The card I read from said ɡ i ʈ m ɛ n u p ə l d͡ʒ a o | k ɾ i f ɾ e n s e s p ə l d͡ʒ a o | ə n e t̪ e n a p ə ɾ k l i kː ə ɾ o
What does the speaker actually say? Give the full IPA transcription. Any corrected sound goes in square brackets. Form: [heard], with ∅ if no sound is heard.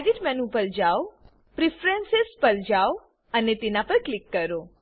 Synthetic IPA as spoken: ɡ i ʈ m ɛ n u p ə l d͡ʒ a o | [p] ɾ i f ɾ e n s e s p ə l d͡ʒ a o | ə n e t̪ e n a p ə ɾ k l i kː ə ɾ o

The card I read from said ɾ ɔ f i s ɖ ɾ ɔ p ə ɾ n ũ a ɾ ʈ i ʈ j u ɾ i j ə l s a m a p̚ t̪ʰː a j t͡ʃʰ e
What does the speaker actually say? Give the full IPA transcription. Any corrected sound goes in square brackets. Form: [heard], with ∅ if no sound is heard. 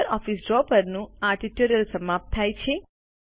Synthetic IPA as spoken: ɾ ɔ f i s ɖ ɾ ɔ p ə ɾ n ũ a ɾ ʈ i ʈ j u ɾ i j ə l s [ə] m a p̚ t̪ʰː a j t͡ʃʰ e

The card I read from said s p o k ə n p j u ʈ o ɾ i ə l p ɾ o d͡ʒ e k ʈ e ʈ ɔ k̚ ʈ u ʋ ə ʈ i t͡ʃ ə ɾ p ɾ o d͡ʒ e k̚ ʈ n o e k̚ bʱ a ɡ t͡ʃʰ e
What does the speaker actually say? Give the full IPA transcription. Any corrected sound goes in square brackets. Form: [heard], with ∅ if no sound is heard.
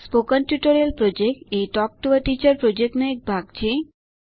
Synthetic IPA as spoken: s p o k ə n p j u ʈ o ɾ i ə l p ɾ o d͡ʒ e k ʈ e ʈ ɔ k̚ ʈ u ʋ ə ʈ i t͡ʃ ə ɾ p ɾ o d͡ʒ e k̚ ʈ n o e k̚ bʱ a ɡ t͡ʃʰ e

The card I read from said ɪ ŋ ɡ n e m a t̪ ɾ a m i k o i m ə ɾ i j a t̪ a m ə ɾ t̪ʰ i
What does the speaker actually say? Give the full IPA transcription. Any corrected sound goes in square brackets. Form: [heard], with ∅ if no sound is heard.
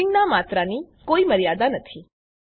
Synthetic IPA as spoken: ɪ ŋ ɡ n [a] m a t̪ ɾ a [n] i k o i m ə ɾ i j a [d̪] a [n] ə [∅] t̪ʰ i

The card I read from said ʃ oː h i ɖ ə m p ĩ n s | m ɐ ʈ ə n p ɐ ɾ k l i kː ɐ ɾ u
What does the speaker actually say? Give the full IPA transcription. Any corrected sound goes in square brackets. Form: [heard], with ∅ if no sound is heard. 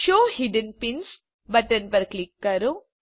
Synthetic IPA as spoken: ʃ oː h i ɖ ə [n] p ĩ n s | [b] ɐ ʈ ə n p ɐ ɾ k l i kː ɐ ɾ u

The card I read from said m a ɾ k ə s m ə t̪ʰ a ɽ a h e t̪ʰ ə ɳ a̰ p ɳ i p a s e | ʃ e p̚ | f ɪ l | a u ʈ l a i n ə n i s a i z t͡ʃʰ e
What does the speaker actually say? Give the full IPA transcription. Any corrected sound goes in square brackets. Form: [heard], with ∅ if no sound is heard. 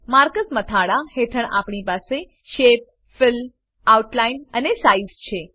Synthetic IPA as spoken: m a ɾ k ə s m ə t̪ʰ a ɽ a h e t̪ʰ ə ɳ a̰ p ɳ i p a s e | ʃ e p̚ | f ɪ l | a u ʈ l a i n ə n [e] s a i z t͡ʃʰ e

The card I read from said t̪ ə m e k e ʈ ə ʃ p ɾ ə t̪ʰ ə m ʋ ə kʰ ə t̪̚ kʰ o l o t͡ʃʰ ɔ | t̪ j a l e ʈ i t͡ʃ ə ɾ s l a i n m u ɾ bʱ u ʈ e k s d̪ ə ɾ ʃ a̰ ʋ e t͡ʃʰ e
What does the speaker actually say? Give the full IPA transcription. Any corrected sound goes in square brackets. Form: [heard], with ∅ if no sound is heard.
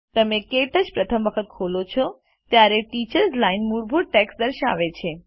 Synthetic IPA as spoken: t̪ ə m e k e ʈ ə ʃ p ɾ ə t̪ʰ ə m ʋ ə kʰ ə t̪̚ kʰ o l o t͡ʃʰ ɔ | t̪ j a [ɾ] e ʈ i t͡ʃ ə ɾ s l a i n m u ɾ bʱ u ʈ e k s d̪ ə ɾ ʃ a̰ ʋ e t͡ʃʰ e

